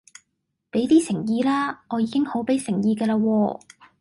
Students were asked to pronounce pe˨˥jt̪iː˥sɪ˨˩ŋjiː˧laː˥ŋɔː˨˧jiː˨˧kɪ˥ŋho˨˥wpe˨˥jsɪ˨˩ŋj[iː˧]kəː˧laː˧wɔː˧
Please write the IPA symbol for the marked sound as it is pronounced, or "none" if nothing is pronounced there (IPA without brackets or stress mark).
iː˧